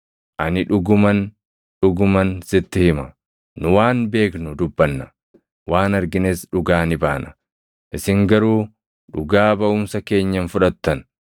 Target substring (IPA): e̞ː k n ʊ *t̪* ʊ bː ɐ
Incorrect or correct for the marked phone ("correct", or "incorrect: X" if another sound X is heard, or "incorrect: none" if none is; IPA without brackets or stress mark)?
incorrect: d̪